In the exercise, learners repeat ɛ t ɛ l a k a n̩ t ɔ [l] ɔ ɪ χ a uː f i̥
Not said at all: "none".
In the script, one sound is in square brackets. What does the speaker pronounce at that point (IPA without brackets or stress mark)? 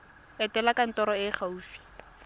ɾ